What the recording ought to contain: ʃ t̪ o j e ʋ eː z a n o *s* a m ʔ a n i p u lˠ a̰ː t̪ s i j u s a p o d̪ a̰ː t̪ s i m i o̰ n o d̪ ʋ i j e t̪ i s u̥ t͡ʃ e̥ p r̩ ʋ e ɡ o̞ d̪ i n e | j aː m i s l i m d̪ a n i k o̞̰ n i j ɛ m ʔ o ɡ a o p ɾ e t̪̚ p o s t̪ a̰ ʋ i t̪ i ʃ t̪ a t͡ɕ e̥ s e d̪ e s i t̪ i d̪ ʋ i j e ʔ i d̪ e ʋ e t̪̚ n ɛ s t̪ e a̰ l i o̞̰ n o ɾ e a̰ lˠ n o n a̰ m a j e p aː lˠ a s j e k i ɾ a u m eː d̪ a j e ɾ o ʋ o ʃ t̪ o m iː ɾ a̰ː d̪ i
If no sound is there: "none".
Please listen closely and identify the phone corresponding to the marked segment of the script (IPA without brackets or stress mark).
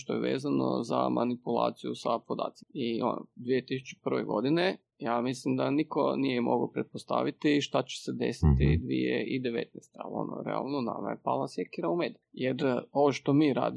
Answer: z